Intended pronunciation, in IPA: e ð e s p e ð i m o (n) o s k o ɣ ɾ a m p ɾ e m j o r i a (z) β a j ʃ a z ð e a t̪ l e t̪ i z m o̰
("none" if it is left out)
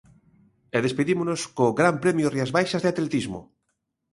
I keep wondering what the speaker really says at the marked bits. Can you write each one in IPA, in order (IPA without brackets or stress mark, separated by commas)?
n, z